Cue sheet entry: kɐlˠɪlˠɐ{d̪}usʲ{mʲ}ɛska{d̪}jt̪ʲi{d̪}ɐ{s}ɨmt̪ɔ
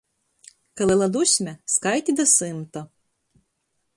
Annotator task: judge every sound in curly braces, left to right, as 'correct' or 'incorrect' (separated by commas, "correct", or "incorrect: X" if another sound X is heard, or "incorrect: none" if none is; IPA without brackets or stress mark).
correct, correct, incorrect: none, correct, correct